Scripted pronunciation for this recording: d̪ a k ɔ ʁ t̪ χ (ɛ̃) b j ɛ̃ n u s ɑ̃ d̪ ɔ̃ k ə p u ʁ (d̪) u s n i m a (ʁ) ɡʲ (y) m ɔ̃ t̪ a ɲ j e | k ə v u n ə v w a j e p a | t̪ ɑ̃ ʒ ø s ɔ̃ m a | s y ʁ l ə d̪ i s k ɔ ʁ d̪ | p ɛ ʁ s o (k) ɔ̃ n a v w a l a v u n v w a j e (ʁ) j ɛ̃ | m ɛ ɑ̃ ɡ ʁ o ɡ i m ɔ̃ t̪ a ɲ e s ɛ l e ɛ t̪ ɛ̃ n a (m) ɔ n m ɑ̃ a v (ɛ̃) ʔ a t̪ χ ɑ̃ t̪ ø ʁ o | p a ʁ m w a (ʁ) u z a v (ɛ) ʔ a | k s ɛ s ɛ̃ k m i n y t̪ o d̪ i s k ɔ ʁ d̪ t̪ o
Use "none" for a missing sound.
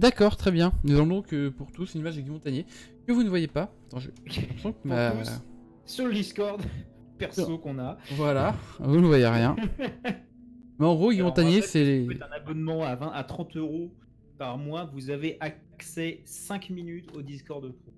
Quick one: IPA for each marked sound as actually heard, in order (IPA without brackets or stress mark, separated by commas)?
ɛ, t̪, ʒ, i, k, ʁ, b, ɛ̃, v, e